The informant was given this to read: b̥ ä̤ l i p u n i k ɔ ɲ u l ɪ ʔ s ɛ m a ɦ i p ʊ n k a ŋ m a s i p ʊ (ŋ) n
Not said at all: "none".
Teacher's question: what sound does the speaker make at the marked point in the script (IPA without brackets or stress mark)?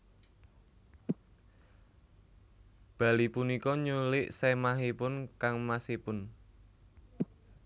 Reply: none